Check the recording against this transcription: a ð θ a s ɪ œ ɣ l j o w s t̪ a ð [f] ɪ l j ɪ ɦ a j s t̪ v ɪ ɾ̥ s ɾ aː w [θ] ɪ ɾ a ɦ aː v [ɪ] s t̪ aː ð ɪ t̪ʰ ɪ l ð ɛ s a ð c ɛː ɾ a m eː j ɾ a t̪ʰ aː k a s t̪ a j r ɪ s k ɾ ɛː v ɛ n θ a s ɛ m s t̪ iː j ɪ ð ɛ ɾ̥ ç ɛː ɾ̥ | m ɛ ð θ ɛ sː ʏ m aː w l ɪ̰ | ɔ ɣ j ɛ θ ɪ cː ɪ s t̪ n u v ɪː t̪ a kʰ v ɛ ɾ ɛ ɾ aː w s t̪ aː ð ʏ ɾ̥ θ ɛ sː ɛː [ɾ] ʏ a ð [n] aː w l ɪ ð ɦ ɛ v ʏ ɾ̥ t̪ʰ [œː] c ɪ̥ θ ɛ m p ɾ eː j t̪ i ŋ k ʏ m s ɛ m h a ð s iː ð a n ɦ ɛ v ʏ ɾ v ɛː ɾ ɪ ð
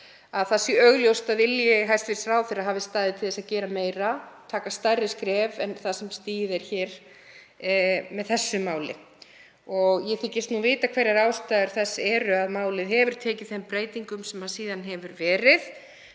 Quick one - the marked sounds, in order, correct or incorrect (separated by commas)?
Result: incorrect, correct, correct, correct, incorrect, incorrect